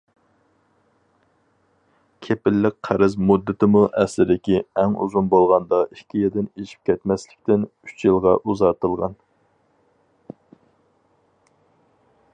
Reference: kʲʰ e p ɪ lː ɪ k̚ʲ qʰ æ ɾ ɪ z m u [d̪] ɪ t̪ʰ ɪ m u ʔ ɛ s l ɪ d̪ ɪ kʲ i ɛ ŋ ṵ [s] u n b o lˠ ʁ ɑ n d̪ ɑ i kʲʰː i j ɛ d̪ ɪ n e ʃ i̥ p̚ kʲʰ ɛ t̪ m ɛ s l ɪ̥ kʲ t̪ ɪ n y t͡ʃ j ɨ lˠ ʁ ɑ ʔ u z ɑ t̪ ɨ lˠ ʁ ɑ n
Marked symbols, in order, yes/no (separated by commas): no, no